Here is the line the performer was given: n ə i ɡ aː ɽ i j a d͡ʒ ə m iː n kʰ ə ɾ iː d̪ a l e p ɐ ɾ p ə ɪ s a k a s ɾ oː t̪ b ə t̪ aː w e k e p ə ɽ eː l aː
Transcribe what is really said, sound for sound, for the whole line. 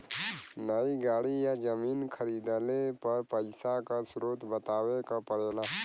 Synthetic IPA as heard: n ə i ɡ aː ɽ i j a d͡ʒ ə m iː n kʰ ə ɾ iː d̪ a l e p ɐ ɾ p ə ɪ s a k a s ɾ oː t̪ b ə t̪ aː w e k a p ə ɽ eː l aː